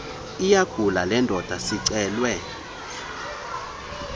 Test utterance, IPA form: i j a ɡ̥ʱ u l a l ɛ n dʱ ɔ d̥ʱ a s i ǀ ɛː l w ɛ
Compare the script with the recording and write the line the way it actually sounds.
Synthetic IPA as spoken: i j a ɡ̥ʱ u l a l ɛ n dʱ ɔ d̥ʱ a s i ǀ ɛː l w ɛ